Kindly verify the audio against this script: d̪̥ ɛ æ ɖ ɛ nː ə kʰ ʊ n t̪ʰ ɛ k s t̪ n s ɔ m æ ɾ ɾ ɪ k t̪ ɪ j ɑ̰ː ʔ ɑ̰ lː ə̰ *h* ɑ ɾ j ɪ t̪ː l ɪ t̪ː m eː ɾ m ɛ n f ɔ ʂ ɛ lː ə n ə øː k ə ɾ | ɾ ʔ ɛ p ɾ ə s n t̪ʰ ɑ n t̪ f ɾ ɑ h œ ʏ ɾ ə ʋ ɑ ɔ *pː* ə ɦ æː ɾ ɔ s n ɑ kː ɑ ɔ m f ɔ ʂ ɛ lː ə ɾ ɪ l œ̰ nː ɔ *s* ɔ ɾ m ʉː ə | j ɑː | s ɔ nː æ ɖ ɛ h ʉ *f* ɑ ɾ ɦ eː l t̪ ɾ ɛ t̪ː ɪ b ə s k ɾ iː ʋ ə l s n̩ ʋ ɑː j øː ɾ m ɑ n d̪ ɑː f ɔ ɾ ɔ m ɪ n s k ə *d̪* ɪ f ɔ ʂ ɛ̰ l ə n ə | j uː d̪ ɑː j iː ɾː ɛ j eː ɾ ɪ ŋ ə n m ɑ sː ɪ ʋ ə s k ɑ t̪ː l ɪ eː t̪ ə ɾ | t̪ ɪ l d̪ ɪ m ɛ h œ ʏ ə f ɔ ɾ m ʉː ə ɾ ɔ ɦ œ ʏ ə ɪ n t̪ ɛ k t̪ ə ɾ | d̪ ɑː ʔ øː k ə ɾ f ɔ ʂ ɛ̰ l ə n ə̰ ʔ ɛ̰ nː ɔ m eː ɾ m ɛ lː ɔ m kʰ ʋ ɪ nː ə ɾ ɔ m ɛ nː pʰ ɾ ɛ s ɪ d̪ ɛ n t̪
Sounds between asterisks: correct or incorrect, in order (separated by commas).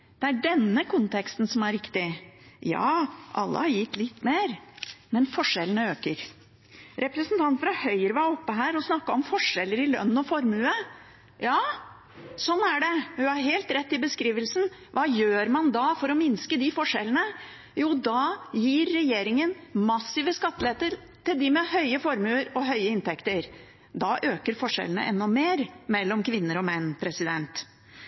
correct, correct, incorrect, incorrect, correct